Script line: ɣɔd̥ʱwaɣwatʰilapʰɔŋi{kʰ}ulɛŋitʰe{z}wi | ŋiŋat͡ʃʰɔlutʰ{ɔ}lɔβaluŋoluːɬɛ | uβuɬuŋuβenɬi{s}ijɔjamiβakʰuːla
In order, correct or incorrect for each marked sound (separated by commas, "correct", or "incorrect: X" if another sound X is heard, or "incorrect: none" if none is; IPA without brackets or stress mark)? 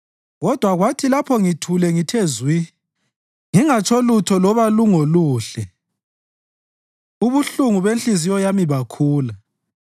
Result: incorrect: tʰ, correct, correct, incorrect: z